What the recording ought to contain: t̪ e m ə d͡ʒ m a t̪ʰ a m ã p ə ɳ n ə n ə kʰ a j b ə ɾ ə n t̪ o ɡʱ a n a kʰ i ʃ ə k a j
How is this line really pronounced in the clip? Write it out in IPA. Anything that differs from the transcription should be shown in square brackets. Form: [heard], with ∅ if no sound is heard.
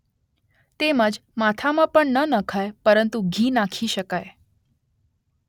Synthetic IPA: t̪ e m ə d͡ʒ m a t̪ʰ a m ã p ə ɳ n ə n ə kʰ a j [p] ə ɾ ə n t̪ [u] ɡʱ [i] n a kʰ i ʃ ə k a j